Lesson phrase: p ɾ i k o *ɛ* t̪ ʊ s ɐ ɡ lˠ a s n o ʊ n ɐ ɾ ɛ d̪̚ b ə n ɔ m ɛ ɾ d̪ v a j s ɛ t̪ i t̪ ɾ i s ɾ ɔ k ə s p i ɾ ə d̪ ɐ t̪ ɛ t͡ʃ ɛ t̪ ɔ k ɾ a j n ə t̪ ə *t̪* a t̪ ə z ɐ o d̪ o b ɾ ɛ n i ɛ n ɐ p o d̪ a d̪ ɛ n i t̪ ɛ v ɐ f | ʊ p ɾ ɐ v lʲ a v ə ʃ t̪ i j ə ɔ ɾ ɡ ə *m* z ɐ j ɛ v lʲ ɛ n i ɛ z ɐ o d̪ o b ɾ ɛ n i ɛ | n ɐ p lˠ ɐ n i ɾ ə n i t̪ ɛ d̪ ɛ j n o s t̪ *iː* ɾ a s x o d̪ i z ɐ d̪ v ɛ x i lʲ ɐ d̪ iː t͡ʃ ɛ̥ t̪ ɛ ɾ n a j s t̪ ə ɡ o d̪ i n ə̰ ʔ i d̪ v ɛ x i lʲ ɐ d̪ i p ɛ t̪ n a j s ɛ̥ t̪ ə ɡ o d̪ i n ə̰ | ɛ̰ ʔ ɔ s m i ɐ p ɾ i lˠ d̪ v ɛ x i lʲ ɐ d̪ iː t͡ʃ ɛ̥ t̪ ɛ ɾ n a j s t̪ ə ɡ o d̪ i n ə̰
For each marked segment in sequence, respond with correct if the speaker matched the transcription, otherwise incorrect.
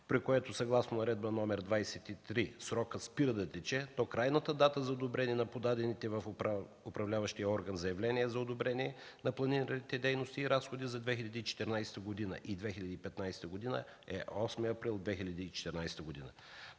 correct, incorrect: d̪, incorrect: n, correct

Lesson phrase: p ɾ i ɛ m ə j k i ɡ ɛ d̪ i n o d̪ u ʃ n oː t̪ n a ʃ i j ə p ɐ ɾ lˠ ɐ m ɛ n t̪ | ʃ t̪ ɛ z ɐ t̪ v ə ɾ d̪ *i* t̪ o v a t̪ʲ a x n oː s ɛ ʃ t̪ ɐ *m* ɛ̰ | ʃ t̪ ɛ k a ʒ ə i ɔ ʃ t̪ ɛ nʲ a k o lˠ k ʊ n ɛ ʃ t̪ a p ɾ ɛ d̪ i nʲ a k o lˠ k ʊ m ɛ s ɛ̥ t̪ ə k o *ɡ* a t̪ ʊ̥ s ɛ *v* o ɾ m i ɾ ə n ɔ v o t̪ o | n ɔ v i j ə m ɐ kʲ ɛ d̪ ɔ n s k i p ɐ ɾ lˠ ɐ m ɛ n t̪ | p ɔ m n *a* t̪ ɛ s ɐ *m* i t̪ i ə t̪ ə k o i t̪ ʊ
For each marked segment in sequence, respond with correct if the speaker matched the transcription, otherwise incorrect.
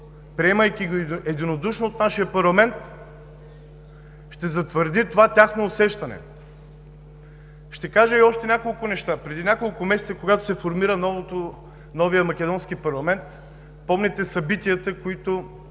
correct, incorrect: n, correct, incorrect: f, incorrect: ɛ, incorrect: b

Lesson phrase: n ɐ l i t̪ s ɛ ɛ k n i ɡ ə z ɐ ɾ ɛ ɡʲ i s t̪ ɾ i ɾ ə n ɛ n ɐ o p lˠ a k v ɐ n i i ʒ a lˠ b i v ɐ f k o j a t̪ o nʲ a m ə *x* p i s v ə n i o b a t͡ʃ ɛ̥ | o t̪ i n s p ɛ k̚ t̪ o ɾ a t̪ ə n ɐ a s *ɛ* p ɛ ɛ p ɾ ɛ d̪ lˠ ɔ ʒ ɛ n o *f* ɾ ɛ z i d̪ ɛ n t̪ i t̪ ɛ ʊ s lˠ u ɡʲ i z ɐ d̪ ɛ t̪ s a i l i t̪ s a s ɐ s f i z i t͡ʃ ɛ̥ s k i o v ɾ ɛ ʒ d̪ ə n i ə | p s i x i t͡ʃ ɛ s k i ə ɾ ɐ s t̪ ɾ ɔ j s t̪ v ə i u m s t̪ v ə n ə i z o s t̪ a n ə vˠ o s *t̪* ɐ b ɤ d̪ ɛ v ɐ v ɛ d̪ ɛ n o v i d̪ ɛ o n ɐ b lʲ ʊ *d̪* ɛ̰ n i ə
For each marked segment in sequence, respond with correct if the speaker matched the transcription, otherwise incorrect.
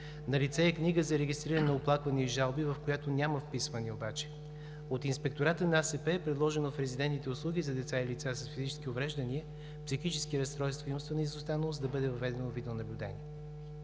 incorrect: f, correct, correct, incorrect: d̪, correct

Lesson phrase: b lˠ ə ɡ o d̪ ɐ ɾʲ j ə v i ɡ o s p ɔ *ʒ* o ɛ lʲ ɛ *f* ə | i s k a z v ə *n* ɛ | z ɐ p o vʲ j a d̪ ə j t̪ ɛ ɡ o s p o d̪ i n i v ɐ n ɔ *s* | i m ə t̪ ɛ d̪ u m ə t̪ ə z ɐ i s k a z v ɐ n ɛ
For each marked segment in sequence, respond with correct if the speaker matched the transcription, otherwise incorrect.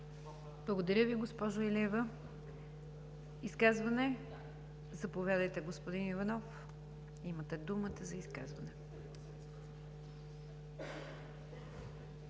correct, incorrect: v, correct, incorrect: f

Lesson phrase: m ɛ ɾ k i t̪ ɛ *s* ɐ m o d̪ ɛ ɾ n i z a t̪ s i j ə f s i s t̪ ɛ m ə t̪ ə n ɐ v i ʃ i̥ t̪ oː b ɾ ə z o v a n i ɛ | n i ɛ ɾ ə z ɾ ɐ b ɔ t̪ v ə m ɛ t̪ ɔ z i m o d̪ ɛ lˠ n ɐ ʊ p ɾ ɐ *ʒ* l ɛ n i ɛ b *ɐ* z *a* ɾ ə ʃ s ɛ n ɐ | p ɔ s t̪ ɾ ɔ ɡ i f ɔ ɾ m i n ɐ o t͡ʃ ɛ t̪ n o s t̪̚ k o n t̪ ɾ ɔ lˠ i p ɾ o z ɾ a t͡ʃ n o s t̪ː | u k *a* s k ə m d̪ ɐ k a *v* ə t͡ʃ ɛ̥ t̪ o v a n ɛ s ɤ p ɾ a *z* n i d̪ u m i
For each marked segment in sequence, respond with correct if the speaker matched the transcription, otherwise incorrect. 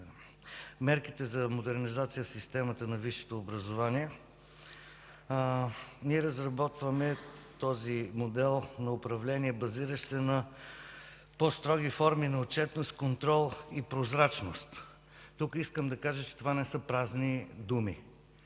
incorrect: z, incorrect: v, correct, incorrect: i, incorrect: i, incorrect: ʒ, correct

